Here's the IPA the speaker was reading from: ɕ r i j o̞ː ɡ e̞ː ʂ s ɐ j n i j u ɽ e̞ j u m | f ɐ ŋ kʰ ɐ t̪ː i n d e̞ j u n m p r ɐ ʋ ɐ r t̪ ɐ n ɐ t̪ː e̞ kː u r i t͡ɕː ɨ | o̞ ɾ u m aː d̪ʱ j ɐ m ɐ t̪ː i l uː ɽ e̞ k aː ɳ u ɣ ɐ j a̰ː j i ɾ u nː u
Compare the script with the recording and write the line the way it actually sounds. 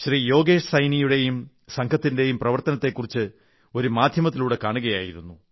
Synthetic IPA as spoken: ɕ r i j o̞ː ɡ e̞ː ʂ s ɐ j n i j u ɽ e̞ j u m | s ɐ ŋ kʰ ɐ t̪ː i n d e̞ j u m p r ɐ ʋ ɐ r t̪ ɐ n ɐ t̪ː e̞ kː u r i t͡ɕː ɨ | o̞ ɾ u m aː d̪ʱ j ɐ m ɐ t̪ː i l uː ɽ e̞ k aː ɳ u ɣ ɐ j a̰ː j i ɾ u nː u